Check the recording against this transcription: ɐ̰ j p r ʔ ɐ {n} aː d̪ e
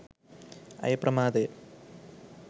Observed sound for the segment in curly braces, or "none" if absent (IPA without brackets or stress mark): m